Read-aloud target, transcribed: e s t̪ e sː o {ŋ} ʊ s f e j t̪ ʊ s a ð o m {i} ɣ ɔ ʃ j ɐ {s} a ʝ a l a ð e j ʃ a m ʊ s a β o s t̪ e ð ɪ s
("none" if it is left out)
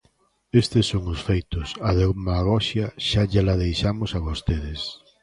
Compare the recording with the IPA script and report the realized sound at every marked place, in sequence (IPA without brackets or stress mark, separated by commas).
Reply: ŋ, a, ʃ